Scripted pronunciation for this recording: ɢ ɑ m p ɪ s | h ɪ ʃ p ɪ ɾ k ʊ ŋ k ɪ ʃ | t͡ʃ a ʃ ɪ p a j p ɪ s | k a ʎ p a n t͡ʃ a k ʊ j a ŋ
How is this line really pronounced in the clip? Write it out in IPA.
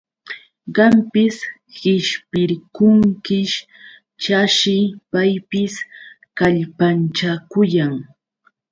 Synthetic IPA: ɢ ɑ m p ɪ s | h ɪ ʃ p ɪ ɾ k ʊ ŋ k ɪ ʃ | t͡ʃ a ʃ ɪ p a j p ɪ s | k a ʎ p a n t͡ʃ a k ʊ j a ŋ

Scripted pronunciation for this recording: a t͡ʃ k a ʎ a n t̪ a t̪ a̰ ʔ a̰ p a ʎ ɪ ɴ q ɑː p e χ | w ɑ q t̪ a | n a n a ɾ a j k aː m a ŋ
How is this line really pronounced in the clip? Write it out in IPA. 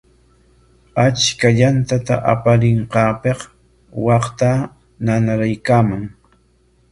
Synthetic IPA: a t͡ʃ k a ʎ a n t̪ a t̪ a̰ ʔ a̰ p a ɾ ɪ ɴ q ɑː p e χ | w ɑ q t̪ a | n a n a ɾ a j k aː m a ŋ

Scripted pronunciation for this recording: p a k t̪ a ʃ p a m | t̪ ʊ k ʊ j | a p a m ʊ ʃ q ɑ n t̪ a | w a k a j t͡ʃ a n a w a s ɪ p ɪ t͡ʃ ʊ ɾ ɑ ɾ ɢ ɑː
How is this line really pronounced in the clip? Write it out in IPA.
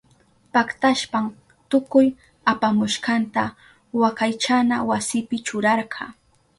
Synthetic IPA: p a k t̪ a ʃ p a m | t̪ ʊ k ʊ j | a p a m ʊ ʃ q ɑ n t̪ a | w a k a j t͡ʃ a n a w a s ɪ p ɪ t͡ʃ ʊ ɾ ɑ ɾ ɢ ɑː

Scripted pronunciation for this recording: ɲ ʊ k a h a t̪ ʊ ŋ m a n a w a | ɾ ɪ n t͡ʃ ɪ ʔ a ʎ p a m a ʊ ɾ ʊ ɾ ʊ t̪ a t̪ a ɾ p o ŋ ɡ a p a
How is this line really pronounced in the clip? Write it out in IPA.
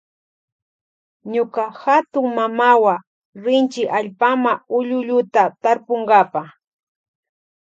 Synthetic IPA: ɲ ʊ k a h a t̪ ʊ ŋ m a m a w a | ɾ ɪ n t͡ʃ ɪ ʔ a ʎ p a m a ʊ ʎ ʊ ʎ ʊ t̪ a t̪ a ɾ p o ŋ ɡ a p a

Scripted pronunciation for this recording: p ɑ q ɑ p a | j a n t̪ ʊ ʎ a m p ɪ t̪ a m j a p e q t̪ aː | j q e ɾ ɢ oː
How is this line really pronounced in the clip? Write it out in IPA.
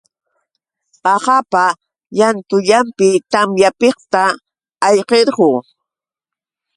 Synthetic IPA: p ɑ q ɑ p a | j a n t̪ ʊ ʎ a m p ɪ t̪ a m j a p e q t̪ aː | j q e ɾ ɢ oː

